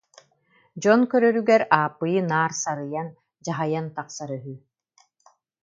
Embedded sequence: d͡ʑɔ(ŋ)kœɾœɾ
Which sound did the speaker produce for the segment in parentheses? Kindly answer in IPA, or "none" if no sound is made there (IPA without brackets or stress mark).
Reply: n